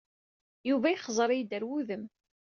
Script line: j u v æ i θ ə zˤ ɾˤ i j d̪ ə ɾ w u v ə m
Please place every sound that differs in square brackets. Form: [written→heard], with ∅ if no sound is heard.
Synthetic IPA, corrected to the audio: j u v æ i [θ→χ] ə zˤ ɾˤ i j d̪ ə ɾ w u [v→ð] ə m